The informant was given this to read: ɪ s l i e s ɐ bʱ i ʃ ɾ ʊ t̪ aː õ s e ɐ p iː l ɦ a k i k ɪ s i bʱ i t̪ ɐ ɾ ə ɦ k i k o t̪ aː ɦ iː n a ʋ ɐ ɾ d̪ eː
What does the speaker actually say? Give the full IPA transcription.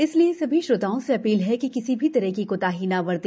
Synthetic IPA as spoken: ɪ s l i e s ɐ bʱ i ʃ ɾ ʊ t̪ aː õ s e ɐ p iː l ɦ ɛ k i k ɪ s i bʱ i t̪ ɐ ɾ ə ɦ k i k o t̪ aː ɦ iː n a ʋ ɐ ɾ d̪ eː